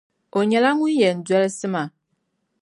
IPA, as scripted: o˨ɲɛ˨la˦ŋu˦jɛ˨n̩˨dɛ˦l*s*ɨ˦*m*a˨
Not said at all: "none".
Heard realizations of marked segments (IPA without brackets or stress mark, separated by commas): s, m